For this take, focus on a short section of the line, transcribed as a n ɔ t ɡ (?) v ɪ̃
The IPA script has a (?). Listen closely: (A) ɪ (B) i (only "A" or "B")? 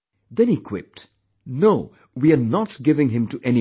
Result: A